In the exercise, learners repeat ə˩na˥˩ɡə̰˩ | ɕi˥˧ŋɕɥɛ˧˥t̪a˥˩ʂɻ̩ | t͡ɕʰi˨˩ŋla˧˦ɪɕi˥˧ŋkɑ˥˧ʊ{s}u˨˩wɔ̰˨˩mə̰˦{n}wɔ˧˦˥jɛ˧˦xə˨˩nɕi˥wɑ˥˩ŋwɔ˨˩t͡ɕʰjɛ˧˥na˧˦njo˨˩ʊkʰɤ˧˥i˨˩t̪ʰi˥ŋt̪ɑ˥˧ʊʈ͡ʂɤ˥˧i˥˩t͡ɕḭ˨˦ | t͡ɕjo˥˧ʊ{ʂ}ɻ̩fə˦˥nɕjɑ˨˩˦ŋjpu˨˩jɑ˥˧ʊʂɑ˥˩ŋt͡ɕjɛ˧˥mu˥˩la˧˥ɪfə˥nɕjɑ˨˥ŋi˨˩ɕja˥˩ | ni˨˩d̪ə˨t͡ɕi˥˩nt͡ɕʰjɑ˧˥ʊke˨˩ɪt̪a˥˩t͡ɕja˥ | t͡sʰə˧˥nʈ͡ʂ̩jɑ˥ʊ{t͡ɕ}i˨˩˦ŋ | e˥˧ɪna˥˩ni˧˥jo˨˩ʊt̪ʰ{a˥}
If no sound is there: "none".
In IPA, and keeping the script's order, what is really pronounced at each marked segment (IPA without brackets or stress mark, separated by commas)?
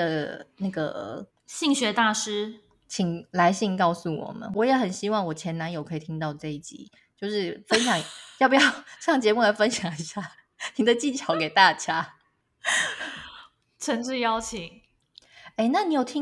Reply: s, n, ʂ, t͡ɕʰ, i˥